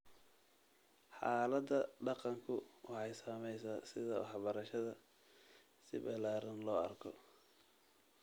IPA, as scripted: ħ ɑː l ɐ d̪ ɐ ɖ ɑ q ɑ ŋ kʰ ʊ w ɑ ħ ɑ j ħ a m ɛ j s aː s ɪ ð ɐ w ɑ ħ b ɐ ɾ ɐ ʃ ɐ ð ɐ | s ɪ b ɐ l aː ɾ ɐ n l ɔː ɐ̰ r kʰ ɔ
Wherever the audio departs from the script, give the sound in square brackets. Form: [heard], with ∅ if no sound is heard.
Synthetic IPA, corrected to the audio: ħ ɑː l ɐ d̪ ɐ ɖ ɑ q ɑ ŋ kʰ ʊ w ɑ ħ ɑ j [s] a m ɛ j s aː s ɪ ð ɐ w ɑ ħ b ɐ ɾ ɐ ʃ ɐ ð ɐ | s ɪ b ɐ l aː ɾ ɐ n l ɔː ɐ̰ r kʰ ɔ